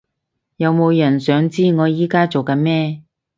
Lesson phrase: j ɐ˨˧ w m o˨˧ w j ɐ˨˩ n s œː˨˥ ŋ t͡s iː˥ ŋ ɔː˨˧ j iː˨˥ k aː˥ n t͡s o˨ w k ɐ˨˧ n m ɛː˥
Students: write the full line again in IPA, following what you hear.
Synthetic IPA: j ɐ˨˧ w m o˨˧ w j ɐ˨˩ n s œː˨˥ ŋ t͡s iː˥ ŋ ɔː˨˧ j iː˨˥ k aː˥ t͡s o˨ w k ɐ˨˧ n m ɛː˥